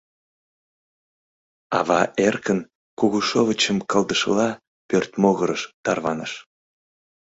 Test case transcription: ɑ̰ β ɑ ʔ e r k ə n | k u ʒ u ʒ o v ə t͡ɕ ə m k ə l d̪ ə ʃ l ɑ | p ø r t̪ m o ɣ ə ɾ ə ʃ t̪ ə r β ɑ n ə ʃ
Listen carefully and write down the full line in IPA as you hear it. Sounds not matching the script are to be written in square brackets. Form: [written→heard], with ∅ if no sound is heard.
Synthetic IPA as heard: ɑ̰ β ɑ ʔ e r k ə n | k u [ʒ→ɣ] u [ʒ→ʃ] o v ə t͡ɕ ə m k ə l d̪ ə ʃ l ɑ | p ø r t̪ m o ɣ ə ɾ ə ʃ t̪ [ə→ɑ] r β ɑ n ə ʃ